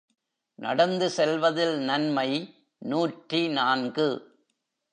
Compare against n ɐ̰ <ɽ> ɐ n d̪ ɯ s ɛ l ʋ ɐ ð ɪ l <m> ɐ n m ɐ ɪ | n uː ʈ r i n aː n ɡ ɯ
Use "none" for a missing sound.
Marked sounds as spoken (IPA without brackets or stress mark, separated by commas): ɽ, n